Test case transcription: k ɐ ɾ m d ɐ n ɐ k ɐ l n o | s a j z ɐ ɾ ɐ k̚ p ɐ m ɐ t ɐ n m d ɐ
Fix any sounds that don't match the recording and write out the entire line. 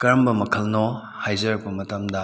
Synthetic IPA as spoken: k ɐ ɾ m b ɐ m ɐ kʰ ɐ l n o | h a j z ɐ ɾ ɐ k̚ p ɐ m ɐ t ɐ m d ɐ